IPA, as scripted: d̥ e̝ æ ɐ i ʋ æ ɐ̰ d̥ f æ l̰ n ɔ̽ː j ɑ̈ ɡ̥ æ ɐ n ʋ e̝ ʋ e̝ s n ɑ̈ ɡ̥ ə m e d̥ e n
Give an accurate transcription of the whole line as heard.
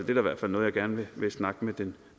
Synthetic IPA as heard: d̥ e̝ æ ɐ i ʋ æ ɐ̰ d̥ f æ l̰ n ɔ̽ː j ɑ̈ ɡ̥ æ ɐ n ʋ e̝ ʋ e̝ s n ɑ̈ ɡ̥ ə m e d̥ e n